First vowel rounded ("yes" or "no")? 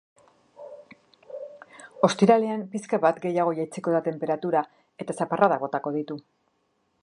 yes